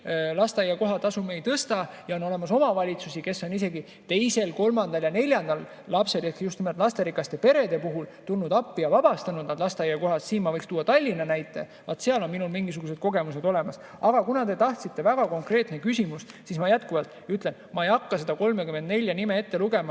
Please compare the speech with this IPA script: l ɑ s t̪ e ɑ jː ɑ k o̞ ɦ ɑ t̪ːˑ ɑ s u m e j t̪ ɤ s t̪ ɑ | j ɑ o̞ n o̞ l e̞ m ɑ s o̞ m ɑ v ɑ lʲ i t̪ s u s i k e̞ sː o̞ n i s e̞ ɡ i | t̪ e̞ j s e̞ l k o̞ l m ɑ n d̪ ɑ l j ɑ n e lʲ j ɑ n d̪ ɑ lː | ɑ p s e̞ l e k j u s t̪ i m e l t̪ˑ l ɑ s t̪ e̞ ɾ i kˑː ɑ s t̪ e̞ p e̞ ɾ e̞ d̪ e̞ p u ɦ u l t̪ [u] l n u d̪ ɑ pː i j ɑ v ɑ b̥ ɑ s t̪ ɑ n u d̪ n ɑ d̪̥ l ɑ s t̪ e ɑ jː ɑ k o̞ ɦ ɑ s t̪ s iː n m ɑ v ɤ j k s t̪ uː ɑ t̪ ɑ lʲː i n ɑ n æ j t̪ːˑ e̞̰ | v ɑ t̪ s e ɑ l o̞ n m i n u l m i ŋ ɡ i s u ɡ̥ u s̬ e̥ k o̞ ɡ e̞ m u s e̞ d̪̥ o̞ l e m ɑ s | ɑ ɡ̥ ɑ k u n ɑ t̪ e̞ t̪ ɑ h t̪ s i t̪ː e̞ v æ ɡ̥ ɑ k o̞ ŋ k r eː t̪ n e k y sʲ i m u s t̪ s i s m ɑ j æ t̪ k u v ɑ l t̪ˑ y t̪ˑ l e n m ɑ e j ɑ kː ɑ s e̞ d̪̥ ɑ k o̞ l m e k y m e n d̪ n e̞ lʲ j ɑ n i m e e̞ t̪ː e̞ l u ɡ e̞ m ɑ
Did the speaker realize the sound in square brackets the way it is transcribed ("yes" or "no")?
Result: yes